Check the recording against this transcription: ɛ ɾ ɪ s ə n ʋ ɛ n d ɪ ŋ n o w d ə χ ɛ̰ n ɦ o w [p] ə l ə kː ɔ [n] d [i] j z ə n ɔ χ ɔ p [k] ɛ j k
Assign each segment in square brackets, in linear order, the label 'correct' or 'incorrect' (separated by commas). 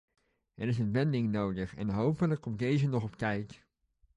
correct, incorrect, incorrect, correct